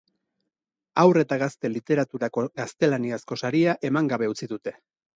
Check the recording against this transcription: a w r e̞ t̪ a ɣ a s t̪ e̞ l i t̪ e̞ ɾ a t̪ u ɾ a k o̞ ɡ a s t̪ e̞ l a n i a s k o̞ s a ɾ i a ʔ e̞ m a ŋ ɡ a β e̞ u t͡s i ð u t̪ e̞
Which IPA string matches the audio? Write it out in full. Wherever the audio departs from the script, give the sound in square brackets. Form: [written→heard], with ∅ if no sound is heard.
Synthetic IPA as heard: a w r e̞ t̪ a ɣ a s t̪ e̞ l i t̪ e̞ ɾ a t̪ u ɾ a k o̞ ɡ a s t̪ e̞ l a n i a s k o̞ s a ɾ i a ʔ e̞ m a ŋ ɡ a β e̞ u t͡s i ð u t̪ e̞